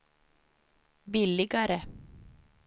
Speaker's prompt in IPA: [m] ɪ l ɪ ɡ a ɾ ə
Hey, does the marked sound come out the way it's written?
no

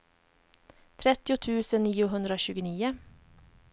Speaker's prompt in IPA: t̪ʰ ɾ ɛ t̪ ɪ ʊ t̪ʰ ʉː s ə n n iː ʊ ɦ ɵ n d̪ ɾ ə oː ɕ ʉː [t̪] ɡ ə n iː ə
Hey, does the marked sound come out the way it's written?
no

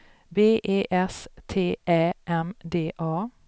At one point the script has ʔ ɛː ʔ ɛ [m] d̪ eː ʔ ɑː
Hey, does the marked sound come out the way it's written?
yes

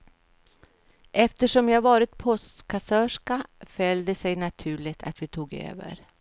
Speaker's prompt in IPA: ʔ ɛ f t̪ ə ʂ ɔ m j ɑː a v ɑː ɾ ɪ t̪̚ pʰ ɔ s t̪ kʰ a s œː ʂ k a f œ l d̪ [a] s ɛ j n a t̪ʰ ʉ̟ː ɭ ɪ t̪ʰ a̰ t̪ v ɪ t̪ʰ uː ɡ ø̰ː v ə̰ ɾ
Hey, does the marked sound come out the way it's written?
no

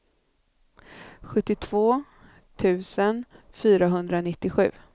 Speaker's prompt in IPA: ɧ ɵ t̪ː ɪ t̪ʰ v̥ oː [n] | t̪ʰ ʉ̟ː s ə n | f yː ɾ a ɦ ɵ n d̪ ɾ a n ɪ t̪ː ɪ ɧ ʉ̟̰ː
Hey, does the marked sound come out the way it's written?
no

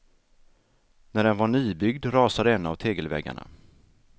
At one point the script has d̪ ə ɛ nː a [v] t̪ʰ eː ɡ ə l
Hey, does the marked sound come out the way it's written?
yes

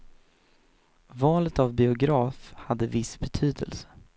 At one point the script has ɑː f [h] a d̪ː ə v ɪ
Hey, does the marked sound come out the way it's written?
yes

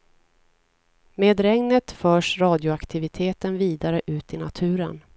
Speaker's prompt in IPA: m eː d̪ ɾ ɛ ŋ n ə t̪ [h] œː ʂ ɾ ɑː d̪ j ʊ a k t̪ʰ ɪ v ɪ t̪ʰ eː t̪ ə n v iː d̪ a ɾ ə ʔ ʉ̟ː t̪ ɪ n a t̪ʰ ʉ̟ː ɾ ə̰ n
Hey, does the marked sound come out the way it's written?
no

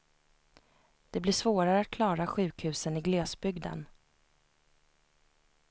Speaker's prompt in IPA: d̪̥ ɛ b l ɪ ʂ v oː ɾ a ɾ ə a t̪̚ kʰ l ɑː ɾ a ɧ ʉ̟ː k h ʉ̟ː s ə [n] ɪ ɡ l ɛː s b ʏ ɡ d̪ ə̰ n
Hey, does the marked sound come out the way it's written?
yes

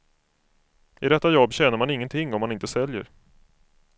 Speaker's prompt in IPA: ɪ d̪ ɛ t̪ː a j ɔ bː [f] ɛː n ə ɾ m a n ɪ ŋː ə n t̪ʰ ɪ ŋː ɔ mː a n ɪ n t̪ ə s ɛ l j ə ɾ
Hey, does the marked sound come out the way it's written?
no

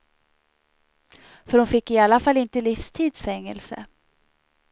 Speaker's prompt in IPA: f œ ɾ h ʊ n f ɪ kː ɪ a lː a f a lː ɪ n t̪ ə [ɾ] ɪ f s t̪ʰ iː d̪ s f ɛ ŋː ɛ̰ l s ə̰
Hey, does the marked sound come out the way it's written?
no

